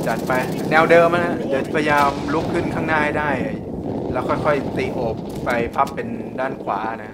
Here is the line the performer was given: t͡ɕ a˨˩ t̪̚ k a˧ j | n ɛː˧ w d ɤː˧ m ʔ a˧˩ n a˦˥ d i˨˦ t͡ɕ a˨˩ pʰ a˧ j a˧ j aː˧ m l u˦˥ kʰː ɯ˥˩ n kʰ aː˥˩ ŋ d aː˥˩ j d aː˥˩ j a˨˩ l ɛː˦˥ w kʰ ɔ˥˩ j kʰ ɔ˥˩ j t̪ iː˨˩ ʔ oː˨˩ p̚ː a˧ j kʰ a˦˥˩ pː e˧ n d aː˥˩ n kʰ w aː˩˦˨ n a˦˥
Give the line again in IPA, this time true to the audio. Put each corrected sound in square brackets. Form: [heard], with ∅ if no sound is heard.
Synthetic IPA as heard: t͡ɕ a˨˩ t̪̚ [p] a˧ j | n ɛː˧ w d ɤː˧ m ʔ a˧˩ n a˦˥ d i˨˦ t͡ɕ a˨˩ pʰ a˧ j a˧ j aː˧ m l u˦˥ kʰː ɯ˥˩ n kʰ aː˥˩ ŋ [n] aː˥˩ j d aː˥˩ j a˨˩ l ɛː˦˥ w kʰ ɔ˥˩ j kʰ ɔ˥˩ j t̪ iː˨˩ ʔ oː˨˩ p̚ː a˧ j [pʰ] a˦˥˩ pː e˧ n d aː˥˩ n kʰ w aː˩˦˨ n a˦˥